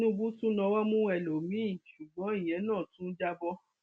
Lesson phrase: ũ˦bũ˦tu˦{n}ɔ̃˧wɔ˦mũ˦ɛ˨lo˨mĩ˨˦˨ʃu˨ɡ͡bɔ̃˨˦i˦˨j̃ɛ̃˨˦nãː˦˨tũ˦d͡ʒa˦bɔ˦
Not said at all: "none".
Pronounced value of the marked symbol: n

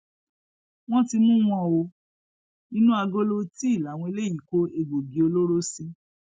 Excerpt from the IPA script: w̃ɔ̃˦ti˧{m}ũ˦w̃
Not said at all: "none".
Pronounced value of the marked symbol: m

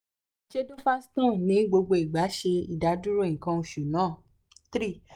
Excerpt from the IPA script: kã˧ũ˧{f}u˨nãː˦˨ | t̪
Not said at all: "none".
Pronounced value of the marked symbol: ʃ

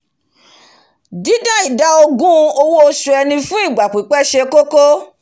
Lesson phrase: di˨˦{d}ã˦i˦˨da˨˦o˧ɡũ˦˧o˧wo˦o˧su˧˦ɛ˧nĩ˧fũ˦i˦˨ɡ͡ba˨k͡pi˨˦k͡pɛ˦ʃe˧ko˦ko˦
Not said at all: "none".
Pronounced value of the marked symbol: d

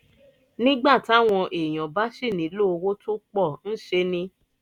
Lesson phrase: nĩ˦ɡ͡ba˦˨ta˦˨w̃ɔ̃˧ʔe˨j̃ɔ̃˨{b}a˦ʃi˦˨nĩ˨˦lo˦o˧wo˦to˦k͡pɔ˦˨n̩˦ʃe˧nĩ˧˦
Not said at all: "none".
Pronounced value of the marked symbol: b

